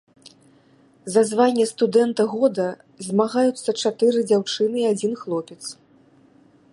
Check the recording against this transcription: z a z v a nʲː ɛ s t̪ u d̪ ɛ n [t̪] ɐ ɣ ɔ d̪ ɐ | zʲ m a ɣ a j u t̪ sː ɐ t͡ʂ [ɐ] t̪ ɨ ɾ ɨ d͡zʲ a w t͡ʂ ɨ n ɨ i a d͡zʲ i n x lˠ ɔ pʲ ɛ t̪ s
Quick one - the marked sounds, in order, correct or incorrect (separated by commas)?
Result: correct, incorrect